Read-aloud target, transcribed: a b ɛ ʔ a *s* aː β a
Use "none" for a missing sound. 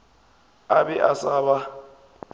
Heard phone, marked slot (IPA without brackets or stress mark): s